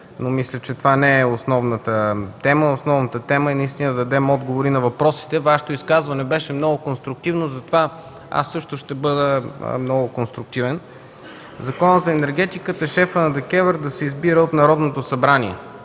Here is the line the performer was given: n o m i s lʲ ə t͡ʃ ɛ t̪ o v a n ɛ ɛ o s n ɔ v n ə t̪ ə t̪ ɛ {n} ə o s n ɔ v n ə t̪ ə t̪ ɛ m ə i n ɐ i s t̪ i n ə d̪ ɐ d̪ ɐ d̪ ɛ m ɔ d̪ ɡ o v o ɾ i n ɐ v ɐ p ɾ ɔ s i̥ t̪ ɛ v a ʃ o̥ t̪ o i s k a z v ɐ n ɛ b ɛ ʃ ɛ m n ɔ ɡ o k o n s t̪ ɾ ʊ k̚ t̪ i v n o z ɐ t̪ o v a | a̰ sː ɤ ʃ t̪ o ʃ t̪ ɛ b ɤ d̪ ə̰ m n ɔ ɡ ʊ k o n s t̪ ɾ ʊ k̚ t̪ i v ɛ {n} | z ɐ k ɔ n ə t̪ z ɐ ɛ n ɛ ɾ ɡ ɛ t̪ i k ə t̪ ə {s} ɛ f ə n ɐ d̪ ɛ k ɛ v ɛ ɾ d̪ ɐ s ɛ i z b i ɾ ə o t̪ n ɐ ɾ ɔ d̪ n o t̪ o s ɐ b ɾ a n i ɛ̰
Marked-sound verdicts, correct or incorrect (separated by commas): incorrect, correct, incorrect